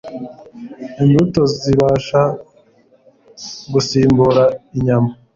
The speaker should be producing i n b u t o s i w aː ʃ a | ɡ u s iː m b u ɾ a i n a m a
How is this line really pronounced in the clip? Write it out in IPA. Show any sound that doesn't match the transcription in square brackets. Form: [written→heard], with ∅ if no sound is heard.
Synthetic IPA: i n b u t o [s→z] i [w→β] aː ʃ a | ɡ u s iː m b u ɾ a i [n→ɲ] a m a